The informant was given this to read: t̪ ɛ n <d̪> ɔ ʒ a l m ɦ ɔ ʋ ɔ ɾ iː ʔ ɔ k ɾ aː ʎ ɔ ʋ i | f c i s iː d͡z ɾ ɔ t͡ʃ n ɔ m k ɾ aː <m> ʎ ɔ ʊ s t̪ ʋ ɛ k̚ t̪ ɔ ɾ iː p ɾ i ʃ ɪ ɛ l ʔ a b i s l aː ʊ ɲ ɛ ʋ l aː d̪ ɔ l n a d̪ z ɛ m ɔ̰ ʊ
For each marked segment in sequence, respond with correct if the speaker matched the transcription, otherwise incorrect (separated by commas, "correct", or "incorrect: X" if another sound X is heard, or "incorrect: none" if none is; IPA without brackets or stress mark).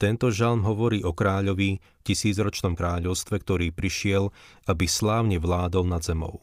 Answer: incorrect: t̪, incorrect: none